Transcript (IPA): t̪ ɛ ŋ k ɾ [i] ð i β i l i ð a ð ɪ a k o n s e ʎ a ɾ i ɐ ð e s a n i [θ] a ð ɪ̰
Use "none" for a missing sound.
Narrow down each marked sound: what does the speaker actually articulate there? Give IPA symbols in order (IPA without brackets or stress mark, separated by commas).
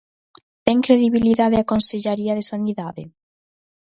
e, ð